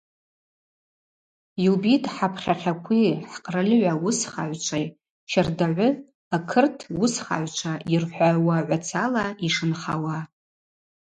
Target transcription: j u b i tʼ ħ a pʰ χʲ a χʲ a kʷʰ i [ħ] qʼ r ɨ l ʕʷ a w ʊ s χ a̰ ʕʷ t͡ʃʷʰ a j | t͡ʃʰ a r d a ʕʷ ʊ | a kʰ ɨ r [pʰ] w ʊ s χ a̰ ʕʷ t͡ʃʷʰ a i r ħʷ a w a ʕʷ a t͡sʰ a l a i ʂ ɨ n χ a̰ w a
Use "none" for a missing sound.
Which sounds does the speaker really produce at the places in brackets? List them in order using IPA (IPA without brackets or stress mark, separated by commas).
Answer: ħ, tʰ